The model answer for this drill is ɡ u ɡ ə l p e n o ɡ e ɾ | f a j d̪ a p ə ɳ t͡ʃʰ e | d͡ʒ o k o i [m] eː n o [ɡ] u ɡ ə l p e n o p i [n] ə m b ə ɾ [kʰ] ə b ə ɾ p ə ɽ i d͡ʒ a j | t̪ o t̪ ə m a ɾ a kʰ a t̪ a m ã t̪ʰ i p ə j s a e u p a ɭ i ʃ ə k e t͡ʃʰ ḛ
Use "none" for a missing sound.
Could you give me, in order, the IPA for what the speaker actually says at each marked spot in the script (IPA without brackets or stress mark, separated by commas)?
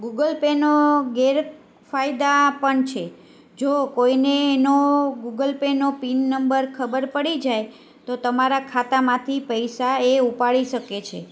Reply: n, ɡ, nː, kʰ